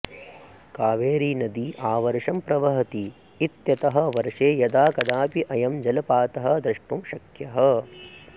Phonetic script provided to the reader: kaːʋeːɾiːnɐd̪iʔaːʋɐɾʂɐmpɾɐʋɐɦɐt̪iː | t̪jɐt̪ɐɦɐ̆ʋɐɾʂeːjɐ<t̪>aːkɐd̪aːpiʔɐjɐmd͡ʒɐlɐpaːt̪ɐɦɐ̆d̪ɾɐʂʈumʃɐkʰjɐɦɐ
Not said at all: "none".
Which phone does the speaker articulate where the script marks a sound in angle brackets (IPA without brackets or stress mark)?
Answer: d̪